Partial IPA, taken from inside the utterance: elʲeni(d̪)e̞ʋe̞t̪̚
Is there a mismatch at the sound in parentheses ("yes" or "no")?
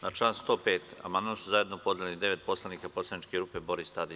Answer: no